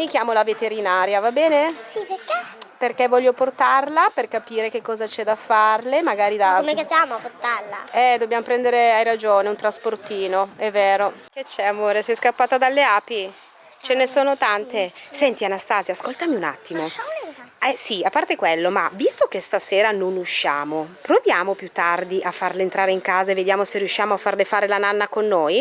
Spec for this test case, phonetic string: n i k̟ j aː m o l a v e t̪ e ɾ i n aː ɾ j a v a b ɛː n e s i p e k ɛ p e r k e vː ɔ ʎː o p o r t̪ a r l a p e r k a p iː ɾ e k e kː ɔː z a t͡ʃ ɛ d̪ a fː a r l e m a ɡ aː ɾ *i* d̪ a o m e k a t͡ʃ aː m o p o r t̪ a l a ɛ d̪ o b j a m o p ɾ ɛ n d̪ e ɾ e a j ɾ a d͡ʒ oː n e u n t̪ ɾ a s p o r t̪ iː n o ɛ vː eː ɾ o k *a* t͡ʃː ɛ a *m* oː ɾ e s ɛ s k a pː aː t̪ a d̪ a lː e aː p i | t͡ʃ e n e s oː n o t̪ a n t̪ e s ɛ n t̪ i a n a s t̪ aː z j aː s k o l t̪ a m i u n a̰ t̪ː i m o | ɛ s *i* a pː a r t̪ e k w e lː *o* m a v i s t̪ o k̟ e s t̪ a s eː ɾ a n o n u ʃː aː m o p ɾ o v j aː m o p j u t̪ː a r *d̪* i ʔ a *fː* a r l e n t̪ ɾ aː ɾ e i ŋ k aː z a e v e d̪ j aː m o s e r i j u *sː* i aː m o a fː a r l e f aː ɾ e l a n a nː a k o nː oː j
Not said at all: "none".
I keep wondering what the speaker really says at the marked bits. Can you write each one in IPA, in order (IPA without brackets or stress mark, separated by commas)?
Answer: i, e, m, i, o, d̪, fː, ʃː